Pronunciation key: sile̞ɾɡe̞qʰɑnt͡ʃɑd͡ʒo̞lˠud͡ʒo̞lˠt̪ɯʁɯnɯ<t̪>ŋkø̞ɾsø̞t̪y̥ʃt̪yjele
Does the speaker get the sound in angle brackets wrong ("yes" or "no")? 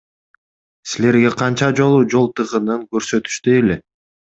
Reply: yes